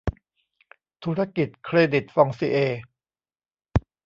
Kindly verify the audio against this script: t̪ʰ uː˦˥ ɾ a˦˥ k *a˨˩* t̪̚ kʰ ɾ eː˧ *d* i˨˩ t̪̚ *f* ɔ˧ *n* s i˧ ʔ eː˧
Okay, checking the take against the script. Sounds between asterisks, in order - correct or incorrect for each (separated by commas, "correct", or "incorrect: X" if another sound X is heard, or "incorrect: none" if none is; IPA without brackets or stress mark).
incorrect: i˨˩, correct, correct, incorrect: ŋ